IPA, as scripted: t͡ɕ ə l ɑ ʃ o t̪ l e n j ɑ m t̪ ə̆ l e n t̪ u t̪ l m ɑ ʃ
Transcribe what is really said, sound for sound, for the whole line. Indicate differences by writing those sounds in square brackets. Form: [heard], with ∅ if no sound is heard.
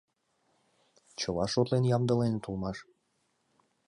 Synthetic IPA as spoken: t͡ɕ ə l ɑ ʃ o t̪ l e n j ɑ m [d̪] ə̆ l e n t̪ u [∅] l m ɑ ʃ